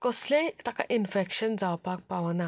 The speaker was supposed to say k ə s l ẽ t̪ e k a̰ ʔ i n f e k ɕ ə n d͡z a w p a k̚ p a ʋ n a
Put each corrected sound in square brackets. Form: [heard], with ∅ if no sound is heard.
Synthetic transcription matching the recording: k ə s l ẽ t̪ [a] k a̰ ʔ i n f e k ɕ ə n d͡z a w p a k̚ p a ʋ n a